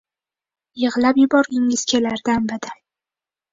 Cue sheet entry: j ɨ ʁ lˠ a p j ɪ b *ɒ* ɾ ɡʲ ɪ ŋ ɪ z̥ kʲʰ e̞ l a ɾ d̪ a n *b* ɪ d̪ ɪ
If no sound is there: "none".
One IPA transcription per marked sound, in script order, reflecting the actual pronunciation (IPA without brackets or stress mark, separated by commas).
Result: ɒ, b